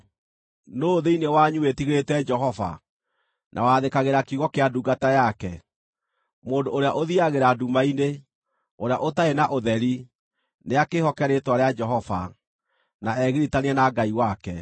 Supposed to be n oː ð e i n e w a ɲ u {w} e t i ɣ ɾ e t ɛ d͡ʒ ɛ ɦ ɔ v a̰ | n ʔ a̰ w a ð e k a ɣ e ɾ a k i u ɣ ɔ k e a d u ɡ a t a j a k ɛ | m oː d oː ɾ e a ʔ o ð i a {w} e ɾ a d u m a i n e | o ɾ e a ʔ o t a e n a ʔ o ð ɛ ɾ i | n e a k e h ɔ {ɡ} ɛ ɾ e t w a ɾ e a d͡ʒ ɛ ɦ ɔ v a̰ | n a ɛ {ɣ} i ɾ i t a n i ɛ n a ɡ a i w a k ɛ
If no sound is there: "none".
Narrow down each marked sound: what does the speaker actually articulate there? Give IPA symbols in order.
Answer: w, ɣ, k, ɣ

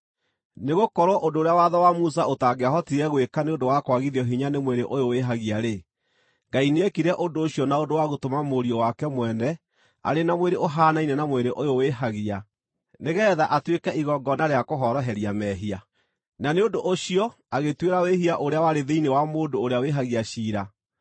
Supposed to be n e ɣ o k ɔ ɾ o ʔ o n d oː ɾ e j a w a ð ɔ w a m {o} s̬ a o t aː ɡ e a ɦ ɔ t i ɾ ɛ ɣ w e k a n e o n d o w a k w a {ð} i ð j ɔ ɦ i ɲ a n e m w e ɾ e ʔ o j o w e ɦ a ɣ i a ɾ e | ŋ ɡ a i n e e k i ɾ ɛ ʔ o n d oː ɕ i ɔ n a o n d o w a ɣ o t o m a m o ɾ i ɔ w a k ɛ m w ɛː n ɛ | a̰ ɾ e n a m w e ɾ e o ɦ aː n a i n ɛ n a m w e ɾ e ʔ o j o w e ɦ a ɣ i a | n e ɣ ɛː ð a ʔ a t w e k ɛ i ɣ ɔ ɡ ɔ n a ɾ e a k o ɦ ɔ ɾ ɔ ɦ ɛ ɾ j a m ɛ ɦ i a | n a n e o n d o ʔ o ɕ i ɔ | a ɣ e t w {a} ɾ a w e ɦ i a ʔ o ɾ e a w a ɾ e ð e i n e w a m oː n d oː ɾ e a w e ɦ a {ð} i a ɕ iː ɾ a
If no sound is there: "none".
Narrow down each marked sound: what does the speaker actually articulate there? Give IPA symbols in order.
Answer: u, ɣ, e, ɣ

